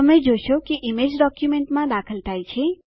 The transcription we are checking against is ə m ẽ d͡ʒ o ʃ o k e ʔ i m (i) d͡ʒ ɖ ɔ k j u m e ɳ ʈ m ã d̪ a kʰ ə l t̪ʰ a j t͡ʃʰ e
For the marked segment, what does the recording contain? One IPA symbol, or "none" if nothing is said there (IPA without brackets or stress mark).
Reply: e